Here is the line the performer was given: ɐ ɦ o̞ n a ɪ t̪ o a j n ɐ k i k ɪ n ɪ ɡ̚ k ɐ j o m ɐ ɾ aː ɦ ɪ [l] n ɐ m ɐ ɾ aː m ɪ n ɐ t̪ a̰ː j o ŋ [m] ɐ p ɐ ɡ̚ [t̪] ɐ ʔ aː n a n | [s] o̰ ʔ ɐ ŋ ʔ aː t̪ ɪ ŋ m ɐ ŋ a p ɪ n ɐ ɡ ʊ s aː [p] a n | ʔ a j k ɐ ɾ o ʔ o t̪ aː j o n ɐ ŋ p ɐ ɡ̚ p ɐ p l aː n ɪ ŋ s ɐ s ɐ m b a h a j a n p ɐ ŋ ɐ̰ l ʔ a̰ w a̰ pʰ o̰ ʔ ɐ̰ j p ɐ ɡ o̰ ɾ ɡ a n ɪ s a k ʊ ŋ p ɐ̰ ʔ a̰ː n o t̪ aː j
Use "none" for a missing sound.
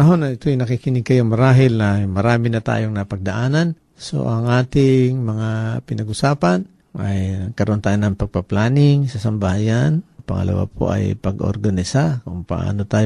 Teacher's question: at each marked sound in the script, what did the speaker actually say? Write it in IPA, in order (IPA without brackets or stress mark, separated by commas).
l, n, d̪, s, p